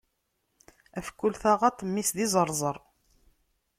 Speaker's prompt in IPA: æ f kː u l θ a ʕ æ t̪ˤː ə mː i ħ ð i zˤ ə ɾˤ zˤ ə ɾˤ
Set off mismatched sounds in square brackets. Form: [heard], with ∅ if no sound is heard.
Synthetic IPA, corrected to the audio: æ f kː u l θ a [ʁ] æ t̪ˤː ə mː i [s] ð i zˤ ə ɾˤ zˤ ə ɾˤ